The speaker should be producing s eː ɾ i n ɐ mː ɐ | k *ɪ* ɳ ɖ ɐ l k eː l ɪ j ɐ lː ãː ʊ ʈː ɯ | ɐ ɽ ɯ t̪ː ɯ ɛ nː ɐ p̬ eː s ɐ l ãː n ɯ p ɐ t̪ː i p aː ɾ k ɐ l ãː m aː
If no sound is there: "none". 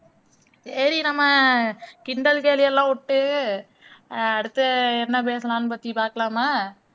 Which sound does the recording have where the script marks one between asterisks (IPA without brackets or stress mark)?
ɪ